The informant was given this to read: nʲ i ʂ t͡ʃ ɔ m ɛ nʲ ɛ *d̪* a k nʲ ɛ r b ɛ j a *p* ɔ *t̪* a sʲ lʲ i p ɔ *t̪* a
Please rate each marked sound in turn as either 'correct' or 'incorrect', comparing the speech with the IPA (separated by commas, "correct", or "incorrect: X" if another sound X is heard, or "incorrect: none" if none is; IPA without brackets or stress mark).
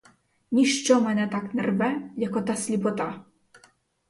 incorrect: t̪, incorrect: k, correct, correct